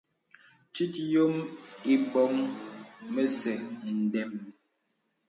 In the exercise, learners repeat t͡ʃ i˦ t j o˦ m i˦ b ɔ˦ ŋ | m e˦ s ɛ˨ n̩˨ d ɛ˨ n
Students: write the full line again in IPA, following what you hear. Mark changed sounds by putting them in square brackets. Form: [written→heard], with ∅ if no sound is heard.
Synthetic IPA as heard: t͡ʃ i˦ t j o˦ m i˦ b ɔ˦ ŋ | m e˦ s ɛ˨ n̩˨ d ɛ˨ [n→m]